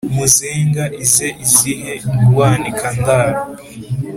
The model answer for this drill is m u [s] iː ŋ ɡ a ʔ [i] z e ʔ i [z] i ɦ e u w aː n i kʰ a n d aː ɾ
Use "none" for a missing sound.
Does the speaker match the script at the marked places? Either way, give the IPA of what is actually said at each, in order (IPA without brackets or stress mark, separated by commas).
z, i, z